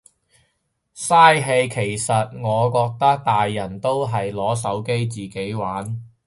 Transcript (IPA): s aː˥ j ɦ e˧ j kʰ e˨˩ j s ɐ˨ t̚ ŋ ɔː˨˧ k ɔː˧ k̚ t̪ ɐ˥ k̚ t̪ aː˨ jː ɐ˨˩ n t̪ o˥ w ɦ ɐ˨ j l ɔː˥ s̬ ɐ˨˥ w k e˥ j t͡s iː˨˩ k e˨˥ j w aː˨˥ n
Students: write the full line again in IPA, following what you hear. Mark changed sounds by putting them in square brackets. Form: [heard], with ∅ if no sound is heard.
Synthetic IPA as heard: s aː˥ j ɦ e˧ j kʰ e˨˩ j s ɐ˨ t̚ ŋ ɔː˨˧ k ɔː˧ k̚ t̪ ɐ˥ k̚ t̪ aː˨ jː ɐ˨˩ n t̪ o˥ w ɦ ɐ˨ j l [ɔː˨˥] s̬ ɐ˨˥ w k e˥ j t͡s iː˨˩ k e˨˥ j w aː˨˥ n